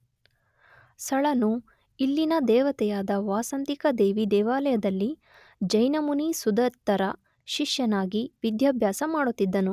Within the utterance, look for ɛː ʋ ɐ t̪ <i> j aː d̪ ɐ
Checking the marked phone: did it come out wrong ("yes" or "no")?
yes